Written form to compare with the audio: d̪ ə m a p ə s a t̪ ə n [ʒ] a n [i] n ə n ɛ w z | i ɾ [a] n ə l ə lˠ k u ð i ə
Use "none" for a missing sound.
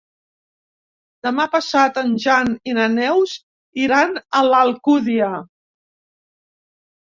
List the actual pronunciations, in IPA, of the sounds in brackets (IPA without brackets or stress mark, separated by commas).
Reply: ʒ, i, a